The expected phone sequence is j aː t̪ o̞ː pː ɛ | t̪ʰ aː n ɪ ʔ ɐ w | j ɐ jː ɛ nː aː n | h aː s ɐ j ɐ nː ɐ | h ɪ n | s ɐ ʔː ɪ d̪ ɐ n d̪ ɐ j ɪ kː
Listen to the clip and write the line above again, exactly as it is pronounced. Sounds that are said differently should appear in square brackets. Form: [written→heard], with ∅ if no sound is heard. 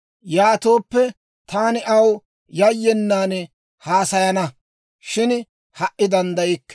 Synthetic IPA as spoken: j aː t̪ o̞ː pː ɛ | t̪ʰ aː n ɪ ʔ ɐ w | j ɐ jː ɛ nː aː n | h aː s ɐ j ɐ [nː→n] ɐ | [h→ʃ] ɪ n | [s→h] ɐ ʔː ɪ d̪ ɐ n d̪ ɐ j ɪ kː